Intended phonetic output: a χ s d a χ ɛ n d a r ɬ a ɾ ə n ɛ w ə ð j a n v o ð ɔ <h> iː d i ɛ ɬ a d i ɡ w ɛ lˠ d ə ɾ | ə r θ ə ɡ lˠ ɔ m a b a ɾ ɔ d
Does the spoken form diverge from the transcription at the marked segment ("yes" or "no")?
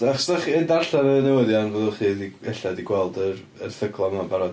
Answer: yes